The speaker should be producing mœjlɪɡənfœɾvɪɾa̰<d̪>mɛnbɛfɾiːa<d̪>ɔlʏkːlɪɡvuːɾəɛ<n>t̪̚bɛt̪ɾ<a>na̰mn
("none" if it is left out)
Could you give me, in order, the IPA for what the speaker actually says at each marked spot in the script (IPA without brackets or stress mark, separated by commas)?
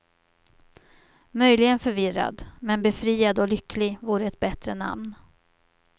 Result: d̪, d̪, none, ə